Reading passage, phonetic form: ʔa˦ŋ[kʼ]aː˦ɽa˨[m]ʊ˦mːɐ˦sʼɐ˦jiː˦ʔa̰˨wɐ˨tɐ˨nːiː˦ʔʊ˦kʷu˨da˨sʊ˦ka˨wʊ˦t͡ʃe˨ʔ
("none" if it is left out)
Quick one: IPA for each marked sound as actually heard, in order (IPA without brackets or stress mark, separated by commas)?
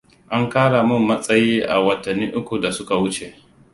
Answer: k, m